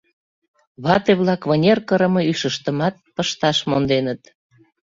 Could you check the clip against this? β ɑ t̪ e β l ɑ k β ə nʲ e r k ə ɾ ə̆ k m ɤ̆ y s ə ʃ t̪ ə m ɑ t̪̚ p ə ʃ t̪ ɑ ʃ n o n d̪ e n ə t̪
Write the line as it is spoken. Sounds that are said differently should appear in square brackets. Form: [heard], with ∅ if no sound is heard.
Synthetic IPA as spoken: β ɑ t̪ e β l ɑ k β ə nʲ e r k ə ɾ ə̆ [∅] m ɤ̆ y [ʃ] ə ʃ t̪ ə m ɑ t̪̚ p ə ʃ t̪ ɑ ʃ [m] o n d̪ e n ə t̪